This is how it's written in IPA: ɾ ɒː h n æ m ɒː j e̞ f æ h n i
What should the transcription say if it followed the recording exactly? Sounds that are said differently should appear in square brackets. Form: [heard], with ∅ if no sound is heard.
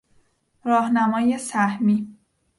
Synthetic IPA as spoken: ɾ ɒː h n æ m ɒː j e̞ [s] æ h [m] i